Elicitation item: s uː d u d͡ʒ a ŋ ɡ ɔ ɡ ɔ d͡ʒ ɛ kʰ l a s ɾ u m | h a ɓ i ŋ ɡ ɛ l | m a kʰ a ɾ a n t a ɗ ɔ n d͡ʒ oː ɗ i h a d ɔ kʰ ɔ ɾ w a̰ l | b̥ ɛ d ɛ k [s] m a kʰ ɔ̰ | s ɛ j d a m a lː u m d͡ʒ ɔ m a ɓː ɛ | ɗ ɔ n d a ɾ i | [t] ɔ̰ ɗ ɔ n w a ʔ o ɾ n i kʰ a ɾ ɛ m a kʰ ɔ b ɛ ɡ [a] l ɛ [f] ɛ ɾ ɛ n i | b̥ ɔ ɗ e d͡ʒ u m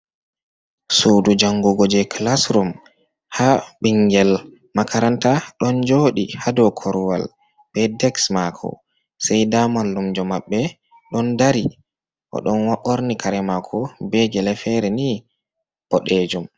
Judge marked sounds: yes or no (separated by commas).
yes, no, no, yes